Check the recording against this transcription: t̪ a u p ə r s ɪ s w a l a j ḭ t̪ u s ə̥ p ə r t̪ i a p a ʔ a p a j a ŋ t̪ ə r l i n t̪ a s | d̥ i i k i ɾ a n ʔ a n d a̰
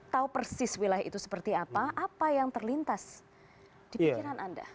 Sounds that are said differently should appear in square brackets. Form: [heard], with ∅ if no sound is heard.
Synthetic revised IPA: t̪ a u p ə r s ɪ s w [i] l a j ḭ t̪ u s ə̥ p ə r t̪ i a p a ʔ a p a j a ŋ t̪ ə r l i n t̪ a s | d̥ i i k i ɾ a n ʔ a n d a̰